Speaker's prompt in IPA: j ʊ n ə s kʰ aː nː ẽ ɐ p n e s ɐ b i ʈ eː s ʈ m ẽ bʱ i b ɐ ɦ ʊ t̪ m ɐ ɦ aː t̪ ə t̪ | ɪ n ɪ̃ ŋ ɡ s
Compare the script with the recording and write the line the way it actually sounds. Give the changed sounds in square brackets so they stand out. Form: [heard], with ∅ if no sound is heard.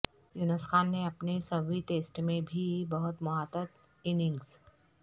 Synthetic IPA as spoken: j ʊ n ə s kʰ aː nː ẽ ɐ p n e s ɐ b i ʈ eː s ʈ m ẽ bʱ i b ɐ ɦ ʊ t̪ m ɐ ɦ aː t̪ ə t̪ | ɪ n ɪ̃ ŋ ɡ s